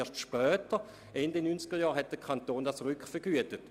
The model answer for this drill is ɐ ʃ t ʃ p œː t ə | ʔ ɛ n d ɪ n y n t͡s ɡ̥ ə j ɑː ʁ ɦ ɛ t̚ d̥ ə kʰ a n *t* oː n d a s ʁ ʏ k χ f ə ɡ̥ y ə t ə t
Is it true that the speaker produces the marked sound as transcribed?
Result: yes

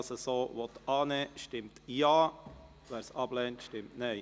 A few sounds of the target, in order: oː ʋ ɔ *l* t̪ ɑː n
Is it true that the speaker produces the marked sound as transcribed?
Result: no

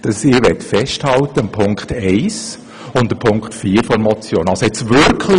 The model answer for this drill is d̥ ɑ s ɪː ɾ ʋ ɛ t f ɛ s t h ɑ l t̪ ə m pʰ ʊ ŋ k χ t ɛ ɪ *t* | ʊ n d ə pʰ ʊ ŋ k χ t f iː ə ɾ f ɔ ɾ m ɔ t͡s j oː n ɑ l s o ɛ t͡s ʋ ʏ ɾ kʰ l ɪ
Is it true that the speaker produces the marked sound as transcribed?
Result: no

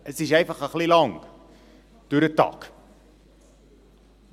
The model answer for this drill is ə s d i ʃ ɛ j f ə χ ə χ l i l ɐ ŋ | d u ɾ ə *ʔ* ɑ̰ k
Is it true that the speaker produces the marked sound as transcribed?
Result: no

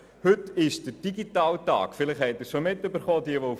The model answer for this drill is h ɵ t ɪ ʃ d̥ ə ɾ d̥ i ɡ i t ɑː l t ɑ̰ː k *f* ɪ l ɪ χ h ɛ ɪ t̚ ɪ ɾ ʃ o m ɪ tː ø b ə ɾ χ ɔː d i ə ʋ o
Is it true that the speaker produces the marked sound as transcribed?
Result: yes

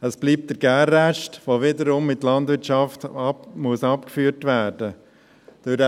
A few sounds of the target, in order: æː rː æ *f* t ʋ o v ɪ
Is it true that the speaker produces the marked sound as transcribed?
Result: no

